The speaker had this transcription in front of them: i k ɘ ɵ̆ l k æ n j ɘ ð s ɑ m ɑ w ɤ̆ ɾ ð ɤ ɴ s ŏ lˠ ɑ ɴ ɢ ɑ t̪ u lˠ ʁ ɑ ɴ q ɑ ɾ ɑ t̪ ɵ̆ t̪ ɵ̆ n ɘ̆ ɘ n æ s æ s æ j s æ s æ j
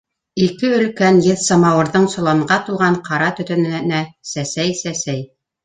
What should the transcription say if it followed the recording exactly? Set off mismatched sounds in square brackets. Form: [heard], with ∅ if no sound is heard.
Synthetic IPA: i k ɘ ɵ̆ l k æ n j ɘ ð s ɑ m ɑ w ɤ̆ ɾ ð ɤ ɴ s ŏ lˠ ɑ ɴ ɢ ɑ t̪ u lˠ ʁ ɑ ɴ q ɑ ɾ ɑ t̪ ɵ̆ t̪ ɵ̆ n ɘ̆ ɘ n æ s æ s æ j s æ s æ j

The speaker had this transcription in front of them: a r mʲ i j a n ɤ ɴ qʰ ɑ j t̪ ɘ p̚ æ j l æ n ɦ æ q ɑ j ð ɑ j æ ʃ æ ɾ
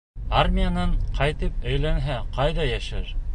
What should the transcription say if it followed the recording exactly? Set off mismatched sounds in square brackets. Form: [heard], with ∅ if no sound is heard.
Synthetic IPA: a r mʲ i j a n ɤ ɴ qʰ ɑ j t̪ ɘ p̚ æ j l æ n ɦ æ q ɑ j ð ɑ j æ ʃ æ ɾ

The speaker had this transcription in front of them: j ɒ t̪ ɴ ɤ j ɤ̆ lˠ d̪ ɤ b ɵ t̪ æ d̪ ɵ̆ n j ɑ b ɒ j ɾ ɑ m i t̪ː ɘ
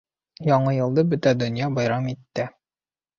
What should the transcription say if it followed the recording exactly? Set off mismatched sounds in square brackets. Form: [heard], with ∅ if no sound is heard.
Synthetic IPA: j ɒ [∅] ɴ ɤ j ɤ̆ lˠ d̪ ɤ b ɵ t̪ æ d̪ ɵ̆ n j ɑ b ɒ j ɾ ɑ m i t̪ː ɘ

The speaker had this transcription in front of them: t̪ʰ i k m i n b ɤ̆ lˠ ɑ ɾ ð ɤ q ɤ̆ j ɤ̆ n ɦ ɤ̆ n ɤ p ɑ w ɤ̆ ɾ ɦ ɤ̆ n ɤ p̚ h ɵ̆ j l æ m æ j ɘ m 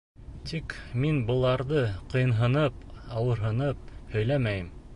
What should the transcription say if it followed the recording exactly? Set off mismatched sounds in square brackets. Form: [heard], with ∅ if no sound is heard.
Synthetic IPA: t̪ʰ i k m i n b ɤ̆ lˠ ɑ ɾ ð ɤ q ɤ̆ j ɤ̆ n ɦ ɤ̆ n ɤ p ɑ w ɤ̆ ɾ ɦ ɤ̆ n ɤ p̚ h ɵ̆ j l æ m æ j ɘ m

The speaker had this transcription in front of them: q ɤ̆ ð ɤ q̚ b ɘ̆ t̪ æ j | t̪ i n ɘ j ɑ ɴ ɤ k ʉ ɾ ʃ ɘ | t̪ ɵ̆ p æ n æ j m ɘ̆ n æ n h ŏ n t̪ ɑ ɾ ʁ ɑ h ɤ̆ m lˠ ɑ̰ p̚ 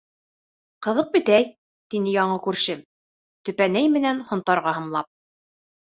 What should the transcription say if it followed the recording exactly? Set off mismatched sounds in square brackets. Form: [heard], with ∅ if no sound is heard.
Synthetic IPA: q ɤ̆ ð ɤ q̚ b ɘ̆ t̪ æ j | t̪ i n ɘ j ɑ ɴ ɤ k ʉ ɾ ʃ ɘ | t̪ ɵ̆ p æ n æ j m ɘ̆ n æ n h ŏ n t̪ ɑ ɾ ʁ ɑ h ɤ̆ m lˠ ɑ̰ p̚

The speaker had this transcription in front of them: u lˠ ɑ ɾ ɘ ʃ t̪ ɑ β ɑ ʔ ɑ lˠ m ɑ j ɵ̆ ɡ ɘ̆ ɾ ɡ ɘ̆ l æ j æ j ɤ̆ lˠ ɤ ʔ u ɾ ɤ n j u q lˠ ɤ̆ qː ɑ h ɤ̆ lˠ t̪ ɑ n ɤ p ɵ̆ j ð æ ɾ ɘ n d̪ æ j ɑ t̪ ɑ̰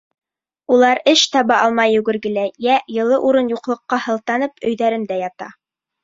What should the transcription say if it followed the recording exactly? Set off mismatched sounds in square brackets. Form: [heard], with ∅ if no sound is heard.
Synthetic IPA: u lˠ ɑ ɾ ɘ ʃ t̪ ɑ β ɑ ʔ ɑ lˠ m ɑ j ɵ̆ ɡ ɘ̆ ɾ ɡ ɘ̆ l æ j æ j ɤ̆ lˠ ɤ ʔ u ɾ ɤ n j u q lˠ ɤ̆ qː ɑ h ɤ̆ lˠ t̪ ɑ n ɤ p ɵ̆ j ð æ ɾ ɘ n d̪ æ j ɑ t̪ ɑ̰

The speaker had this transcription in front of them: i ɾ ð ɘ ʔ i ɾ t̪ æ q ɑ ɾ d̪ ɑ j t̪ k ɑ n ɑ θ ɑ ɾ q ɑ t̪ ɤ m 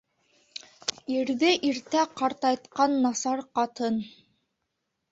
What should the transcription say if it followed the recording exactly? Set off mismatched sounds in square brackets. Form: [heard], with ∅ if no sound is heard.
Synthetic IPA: i ɾ ð ɘ ʔ i ɾ t̪ æ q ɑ ɾ [t̪] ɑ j t̪ [q] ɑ [nː] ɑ [s] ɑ ɾ q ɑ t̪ ɤ [n]

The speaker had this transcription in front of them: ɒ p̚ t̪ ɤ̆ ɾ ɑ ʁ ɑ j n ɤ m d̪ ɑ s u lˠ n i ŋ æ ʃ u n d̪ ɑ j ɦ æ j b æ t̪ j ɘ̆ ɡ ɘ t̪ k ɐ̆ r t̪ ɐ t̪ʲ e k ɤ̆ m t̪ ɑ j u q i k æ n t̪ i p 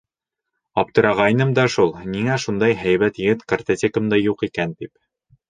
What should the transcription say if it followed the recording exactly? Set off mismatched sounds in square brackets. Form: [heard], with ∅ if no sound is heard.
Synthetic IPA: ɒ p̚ t̪ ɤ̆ ɾ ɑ ʁ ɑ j n ɤ m d̪ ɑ [ʃ] u lˠ n i ŋ æ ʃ u n d̪ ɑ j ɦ æ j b æ t̪ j ɘ̆ ɡ ɘ t̪ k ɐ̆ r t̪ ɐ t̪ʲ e k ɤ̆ m [d̪] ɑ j u q i k æ n t̪ i p

